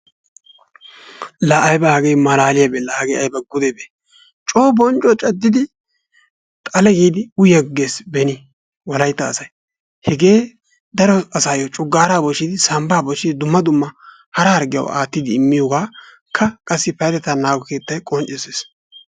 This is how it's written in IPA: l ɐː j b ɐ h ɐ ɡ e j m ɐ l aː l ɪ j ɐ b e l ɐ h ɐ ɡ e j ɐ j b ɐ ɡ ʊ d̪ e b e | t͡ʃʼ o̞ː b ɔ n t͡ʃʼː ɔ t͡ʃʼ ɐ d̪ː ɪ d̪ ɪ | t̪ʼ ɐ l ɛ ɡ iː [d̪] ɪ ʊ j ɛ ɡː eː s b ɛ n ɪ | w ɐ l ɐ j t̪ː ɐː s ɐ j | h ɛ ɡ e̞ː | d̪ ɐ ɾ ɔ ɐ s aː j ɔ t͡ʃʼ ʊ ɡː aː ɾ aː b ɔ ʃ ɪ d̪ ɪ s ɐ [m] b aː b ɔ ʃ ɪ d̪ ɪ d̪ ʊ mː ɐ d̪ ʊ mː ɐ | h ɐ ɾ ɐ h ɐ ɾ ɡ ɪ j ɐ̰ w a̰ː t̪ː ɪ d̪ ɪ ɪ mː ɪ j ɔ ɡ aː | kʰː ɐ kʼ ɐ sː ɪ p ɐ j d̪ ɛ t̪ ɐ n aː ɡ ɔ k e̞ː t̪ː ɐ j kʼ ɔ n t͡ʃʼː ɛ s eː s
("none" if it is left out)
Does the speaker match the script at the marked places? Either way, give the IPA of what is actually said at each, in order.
d̪, m

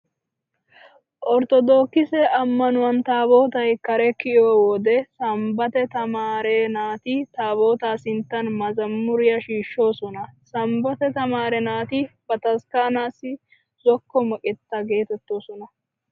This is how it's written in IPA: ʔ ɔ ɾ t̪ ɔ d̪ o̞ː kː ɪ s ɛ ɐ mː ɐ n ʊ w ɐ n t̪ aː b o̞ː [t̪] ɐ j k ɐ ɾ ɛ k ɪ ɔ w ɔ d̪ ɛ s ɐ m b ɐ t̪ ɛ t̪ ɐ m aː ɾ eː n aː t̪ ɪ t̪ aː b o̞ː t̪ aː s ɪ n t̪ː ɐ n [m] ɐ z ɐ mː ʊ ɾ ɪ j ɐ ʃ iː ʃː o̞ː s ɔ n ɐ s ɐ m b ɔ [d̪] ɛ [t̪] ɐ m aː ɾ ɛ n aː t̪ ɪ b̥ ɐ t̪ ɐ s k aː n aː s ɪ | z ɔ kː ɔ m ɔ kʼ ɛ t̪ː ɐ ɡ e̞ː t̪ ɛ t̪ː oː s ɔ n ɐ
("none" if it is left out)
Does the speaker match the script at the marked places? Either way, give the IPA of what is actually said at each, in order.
t̪, m, t̪, t̪

